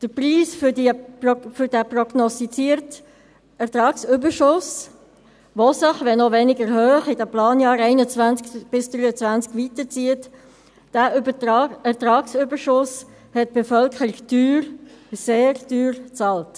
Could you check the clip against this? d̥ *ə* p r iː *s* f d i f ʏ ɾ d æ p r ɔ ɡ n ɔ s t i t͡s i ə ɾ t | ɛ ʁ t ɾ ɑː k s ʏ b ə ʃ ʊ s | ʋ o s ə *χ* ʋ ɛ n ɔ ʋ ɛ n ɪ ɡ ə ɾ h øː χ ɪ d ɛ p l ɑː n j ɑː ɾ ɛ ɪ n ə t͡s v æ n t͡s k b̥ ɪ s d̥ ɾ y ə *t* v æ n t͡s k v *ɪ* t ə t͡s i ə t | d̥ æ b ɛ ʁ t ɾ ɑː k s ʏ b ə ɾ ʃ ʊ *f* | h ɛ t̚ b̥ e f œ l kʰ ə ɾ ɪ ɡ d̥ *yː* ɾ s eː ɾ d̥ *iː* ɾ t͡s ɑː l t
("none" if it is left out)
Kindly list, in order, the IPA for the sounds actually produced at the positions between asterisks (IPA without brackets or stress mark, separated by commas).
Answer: ə, s, χ, t͡s, i, s, yː, yː